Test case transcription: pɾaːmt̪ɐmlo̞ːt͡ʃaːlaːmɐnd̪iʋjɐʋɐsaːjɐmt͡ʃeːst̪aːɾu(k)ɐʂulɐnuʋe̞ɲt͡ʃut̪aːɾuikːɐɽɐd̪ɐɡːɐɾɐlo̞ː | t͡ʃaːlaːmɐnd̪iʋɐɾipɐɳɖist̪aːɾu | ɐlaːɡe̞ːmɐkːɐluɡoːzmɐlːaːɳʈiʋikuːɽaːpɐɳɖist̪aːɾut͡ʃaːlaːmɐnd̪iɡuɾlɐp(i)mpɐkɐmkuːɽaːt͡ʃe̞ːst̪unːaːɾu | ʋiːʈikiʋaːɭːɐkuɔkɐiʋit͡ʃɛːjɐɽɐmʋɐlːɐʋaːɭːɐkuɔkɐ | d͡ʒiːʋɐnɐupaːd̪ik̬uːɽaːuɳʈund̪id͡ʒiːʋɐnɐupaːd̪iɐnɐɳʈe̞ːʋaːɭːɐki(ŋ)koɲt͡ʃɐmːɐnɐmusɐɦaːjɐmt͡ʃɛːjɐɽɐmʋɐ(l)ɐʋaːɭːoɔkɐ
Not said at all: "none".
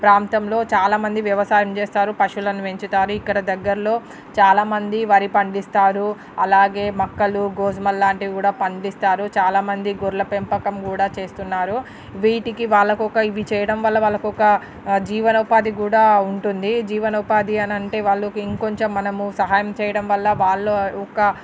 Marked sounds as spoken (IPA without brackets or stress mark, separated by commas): p, e, ŋ, lː